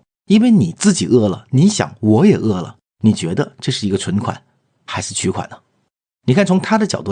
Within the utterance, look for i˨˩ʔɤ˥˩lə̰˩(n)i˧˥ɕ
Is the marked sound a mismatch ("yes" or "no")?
no